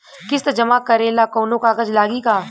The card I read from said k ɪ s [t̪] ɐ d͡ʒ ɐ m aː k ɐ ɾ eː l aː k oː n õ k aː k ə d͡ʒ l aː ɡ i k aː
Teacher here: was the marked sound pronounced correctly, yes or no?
yes